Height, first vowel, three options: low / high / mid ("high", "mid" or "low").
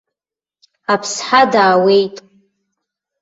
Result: low